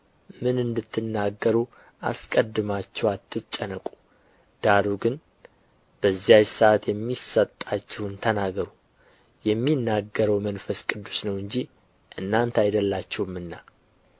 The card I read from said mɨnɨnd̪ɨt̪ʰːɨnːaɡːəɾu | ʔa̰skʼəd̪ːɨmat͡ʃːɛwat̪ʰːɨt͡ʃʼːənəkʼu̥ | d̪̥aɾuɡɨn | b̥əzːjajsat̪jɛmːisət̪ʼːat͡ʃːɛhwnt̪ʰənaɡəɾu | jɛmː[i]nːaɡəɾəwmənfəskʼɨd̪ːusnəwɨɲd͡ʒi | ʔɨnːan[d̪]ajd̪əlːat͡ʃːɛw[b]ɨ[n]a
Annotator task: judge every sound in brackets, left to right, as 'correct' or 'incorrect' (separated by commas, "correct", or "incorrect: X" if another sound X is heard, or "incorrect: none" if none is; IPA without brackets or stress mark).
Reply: correct, incorrect: t̪, incorrect: m, incorrect: nː